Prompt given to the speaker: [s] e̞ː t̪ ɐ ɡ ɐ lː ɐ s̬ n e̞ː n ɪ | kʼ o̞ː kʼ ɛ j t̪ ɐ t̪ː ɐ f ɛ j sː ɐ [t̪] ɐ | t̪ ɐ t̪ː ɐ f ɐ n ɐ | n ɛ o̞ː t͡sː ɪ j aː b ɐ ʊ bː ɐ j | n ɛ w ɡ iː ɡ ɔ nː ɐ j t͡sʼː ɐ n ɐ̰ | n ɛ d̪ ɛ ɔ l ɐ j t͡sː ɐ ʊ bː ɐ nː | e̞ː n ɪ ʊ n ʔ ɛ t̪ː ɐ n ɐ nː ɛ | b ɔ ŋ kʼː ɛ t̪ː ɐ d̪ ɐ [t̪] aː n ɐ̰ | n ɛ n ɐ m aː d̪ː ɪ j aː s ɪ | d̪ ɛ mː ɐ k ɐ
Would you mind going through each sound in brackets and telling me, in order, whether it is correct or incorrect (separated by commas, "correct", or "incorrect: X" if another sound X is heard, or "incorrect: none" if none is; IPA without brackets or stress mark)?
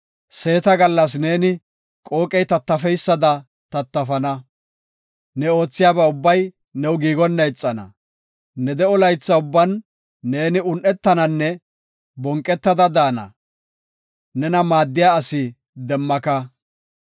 correct, incorrect: d̪, incorrect: d̪